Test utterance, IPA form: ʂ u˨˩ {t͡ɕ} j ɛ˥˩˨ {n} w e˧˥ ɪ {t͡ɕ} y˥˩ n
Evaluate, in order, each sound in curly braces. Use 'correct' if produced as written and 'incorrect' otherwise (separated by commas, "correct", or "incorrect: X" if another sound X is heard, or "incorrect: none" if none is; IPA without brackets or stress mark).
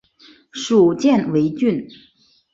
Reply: correct, correct, correct